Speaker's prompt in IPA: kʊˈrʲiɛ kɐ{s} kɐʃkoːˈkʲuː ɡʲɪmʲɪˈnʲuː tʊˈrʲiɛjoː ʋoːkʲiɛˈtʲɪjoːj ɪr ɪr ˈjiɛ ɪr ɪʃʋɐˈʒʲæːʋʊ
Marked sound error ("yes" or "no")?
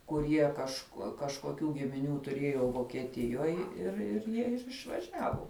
yes